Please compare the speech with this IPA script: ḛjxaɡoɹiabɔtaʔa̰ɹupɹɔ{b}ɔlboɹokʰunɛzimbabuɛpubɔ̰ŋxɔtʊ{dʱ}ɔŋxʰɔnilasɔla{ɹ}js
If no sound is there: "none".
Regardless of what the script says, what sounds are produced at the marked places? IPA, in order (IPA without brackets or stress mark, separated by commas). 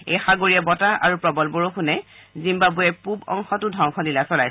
b, dʱ, none